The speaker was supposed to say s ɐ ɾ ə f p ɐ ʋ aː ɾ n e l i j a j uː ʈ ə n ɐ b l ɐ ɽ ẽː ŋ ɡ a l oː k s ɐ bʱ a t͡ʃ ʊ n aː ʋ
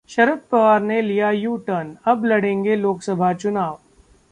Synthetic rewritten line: ʃ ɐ ɾ ə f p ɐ ʋ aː ɾ n e l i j a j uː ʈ ə n ɐ b l ɐ ɽ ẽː ŋ ɡ e l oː k s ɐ bʱ a t͡ʃ ʊ n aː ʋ